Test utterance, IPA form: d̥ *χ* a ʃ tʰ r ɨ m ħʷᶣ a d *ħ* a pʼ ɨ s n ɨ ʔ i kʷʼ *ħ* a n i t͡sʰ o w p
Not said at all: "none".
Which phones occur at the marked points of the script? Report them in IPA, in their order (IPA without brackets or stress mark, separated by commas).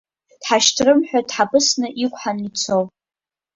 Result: ħ, ħ, ħ